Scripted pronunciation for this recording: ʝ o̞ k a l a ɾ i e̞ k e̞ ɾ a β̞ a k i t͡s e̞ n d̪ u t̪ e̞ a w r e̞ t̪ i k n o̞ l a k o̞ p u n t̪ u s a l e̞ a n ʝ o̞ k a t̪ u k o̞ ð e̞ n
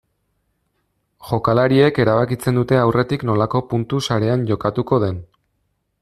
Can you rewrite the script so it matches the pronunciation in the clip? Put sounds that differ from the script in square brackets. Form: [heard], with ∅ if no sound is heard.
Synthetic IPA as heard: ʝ o̞ k a l a ɾ i e̞ k e̞ ɾ a β̞ a k i t͡s e̞ n d̪ u t̪ e̞ a w r e̞ t̪ i k n o̞ l a k o̞ p u n t̪ u s a [ɾ] e̞ a n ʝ o̞ k a t̪ u k o̞ ð e̞ n

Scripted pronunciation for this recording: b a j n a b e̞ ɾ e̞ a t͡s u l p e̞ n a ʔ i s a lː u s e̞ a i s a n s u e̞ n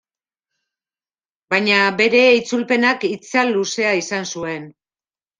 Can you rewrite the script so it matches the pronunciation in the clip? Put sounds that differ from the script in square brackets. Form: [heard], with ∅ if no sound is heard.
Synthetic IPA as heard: b a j [ɲ] a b e̞ ɾ e̞ [i] t͡s u l p e̞ n a [k] i [t͡s] a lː u s e̞ a i s a n s u e̞ n

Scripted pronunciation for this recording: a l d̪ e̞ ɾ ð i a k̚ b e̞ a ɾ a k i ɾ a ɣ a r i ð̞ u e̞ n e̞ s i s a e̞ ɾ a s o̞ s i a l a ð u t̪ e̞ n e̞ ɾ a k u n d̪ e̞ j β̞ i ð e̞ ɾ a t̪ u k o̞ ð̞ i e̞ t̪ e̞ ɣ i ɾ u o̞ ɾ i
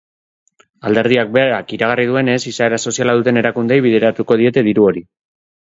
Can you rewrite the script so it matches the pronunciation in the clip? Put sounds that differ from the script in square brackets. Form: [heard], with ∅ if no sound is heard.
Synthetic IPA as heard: a l d̪ e̞ ɾ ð i a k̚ b e̞ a ɾ a k i ɾ a ɣ a r i ð̞ u e̞ n e̞ s i s a e̞ ɾ a s o̞ s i a l a ð u t̪ e̞ n e̞ ɾ a k u n d̪ e̞ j β̞ i ð e̞ ɾ a t̪ u k o̞ ð̞ i e̞ t̪ e̞ [ð] i ɾ u o̞ ɾ i

